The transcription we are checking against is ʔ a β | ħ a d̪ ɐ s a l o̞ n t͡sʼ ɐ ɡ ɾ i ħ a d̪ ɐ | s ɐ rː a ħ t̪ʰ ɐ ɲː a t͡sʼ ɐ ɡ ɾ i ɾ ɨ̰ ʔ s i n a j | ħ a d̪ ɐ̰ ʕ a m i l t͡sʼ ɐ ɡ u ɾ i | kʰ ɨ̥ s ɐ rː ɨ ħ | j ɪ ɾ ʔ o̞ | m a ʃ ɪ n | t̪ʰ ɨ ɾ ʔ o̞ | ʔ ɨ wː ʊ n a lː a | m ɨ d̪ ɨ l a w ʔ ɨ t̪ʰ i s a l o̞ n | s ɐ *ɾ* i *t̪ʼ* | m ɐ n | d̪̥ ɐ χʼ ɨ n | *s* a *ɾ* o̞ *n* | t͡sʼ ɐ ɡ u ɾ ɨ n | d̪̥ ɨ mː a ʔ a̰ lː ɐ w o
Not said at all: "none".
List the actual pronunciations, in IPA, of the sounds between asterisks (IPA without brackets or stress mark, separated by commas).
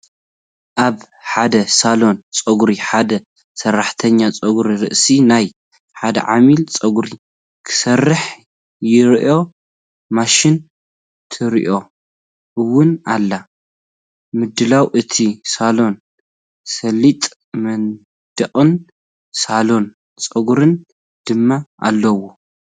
l, t̪ʼ, s, l, n